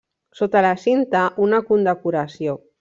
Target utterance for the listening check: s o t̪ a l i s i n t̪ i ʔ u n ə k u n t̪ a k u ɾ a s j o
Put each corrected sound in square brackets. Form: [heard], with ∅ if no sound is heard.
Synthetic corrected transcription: s o t̪ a l [a] s i n t̪ [a] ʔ u n [a] k u n [d̪] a k u ɾ a s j o